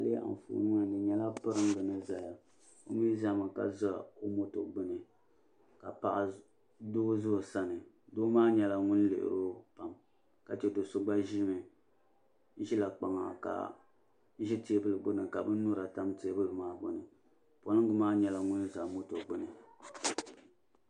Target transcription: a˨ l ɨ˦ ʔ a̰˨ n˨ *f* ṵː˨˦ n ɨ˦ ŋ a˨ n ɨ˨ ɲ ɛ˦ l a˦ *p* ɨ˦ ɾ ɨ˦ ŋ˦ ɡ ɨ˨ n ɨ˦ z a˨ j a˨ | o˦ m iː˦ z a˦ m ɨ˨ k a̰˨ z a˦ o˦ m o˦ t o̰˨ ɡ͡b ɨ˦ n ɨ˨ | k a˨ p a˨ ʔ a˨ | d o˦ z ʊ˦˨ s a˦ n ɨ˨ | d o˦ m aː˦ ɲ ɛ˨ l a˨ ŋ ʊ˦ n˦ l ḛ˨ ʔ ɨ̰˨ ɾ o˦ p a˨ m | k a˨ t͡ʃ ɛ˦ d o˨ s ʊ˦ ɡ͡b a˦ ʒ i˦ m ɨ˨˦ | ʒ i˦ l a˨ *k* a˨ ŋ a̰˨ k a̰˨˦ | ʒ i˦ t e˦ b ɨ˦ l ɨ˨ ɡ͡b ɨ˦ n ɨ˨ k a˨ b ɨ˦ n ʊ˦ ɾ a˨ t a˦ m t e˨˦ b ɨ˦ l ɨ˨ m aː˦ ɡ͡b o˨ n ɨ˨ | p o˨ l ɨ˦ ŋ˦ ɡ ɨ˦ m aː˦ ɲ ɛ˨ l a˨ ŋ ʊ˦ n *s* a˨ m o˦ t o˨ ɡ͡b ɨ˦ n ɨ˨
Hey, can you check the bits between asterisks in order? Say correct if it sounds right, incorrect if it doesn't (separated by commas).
correct, correct, incorrect, incorrect